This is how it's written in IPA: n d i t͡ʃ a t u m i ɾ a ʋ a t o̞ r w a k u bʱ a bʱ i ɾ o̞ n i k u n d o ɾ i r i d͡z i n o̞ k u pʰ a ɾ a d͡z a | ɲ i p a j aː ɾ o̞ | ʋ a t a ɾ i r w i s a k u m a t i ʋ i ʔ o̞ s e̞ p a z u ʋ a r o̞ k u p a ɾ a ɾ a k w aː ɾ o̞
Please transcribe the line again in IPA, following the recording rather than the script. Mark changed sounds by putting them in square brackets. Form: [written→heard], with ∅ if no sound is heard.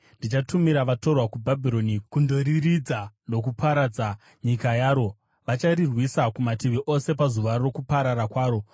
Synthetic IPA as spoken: n d i t͡ʃ a t u m i ɾ a ʋ a t o̞ r w a k u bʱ a bʱ i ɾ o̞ n i k u n d o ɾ i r i d͡z [i→a] n o̞ k u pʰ a ɾ a d͡z a | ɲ i [p→k] a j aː ɾ o̞ | ʋ a [t→t͡ʃ] a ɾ i r w i s a k u m a t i ʋ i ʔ o̞ s e̞ p a z u ʋ a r o̞ k u p a ɾ a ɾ a k w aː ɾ o̞